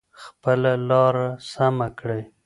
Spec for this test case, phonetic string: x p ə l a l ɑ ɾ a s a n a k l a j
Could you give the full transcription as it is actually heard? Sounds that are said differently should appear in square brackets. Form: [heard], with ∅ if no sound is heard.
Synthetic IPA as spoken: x p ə l a l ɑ ɾ a s a [m] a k [ɽ] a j

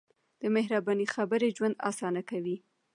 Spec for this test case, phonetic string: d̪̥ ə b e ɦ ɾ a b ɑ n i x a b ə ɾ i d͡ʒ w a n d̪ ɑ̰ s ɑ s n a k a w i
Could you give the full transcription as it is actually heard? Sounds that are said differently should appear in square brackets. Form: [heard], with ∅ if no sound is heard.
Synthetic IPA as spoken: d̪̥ ə [m] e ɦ ɾ a b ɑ n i x a b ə ɾ [e] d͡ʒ w a n d̪ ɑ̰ s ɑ [∅] n a k a w i

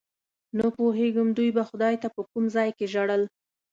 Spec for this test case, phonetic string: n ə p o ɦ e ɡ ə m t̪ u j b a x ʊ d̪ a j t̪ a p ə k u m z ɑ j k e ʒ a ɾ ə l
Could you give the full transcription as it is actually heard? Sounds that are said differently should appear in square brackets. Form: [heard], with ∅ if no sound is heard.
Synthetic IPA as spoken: n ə p o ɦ e ɡ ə m [d̪] u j b a x ʊ d̪ [ɑ] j t̪ a p ə k u m z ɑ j k e ʒ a [ɽ] ə l

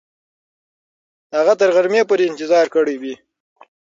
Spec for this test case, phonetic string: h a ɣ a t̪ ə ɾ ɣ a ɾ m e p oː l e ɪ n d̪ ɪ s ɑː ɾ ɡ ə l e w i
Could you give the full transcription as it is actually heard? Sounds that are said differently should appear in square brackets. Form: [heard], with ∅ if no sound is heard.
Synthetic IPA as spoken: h a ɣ a t̪ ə ɾ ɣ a ɾ m e p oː [ɾ] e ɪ n [t̪] ɪ [z] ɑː ɾ [k] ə [ɽ] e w i

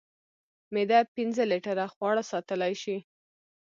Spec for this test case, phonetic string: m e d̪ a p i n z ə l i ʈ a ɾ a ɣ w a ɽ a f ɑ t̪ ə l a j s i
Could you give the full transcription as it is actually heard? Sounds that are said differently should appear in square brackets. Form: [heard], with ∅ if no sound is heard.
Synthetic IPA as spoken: m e d̪ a p i n z ə l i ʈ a ɾ a [x] w [ɑ] ɽ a [s] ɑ t̪ ə l a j [ʃ] i

